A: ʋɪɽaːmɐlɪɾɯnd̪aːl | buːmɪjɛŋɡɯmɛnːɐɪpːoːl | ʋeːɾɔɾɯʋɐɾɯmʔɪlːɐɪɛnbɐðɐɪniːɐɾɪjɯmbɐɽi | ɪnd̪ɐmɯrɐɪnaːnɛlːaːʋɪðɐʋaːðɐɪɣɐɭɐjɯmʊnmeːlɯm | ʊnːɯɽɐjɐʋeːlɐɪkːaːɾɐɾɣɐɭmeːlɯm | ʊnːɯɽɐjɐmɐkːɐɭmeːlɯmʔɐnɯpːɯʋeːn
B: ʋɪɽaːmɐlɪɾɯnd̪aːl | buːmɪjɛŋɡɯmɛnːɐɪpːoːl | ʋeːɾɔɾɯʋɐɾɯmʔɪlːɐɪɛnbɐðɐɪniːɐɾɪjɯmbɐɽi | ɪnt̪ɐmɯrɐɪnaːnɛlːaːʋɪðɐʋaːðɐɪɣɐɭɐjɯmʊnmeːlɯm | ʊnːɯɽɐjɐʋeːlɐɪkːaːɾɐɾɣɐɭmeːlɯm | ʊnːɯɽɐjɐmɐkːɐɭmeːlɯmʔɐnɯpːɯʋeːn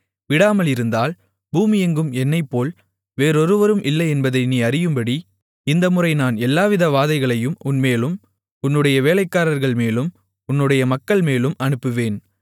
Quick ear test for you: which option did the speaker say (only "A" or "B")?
A